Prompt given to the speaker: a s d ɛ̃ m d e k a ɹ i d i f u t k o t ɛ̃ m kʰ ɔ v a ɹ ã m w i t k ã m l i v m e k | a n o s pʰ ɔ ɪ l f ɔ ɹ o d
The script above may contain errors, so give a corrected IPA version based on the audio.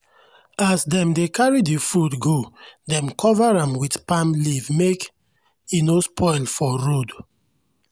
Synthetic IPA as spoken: a s d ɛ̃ m d e k a ɹ i d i f u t ɡ o d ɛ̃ m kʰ ɔ v a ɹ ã m w i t p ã m l i v m e k | i n o s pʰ ɔ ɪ l f ɔ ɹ o d